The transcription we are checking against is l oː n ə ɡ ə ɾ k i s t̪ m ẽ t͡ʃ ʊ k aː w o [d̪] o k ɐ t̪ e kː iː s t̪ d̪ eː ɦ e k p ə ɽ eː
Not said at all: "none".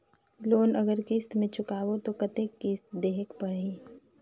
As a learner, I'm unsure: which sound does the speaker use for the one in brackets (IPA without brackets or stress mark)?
t̪